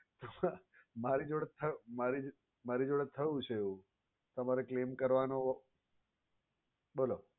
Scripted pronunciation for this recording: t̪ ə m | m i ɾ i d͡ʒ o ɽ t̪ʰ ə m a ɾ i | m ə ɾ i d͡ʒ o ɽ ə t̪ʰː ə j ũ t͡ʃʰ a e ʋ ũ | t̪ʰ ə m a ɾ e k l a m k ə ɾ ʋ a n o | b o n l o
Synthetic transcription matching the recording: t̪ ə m | m a ɾ i d͡ʒ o ɽ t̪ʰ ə m a ɾ i | m a ɾ i d͡ʒ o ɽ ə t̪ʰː ə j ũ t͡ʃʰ e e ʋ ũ | t̪ ə m a ɾ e k l e m k ə ɾ ʋ a n o | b o l o